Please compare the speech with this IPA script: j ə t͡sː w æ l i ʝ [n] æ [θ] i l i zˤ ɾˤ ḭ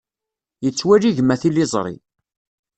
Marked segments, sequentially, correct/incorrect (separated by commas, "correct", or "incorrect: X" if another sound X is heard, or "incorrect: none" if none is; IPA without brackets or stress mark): incorrect: m, correct